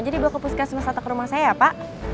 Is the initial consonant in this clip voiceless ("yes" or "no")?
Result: no